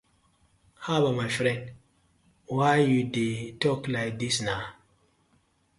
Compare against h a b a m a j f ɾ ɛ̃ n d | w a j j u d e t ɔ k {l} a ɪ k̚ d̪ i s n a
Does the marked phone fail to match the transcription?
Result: no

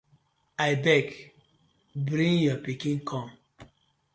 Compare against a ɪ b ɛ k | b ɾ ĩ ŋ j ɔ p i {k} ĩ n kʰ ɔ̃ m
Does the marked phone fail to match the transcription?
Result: no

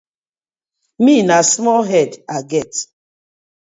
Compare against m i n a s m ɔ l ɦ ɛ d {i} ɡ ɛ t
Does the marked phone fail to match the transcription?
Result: yes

